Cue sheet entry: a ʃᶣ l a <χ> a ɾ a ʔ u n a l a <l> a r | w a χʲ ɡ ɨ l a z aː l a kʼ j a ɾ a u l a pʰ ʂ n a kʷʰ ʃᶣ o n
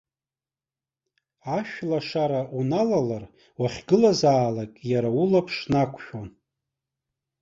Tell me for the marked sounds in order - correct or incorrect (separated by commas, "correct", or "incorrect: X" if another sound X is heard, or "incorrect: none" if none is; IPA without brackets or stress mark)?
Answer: incorrect: ʂ, correct